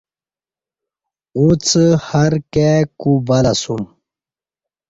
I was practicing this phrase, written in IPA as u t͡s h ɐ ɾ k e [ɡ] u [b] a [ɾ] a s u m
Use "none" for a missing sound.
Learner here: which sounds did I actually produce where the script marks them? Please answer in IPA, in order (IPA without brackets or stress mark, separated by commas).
k, b, l